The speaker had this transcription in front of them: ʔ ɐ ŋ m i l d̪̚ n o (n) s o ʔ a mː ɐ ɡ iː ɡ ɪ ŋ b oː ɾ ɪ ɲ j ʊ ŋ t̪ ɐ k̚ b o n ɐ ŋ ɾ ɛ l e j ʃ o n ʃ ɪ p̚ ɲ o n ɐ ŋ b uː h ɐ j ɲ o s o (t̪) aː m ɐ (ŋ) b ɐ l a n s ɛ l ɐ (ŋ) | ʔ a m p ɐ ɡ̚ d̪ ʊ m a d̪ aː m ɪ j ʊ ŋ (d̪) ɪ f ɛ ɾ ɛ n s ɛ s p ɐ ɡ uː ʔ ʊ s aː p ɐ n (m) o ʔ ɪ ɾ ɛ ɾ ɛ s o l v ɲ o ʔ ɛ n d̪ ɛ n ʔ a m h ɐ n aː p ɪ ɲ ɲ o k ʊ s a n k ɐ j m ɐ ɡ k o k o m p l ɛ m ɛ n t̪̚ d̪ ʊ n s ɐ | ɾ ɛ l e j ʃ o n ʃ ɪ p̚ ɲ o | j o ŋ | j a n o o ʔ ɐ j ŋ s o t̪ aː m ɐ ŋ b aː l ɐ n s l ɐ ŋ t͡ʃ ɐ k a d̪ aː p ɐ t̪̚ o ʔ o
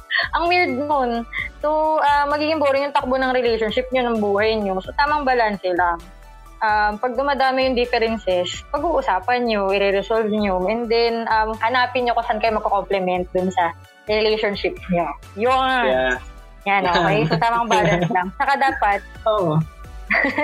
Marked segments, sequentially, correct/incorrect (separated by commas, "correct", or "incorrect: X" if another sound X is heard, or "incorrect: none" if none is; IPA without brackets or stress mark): correct, correct, correct, correct, correct, incorrect: ɲ